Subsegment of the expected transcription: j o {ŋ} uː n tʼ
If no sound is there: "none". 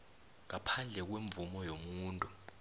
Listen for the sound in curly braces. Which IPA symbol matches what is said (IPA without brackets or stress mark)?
m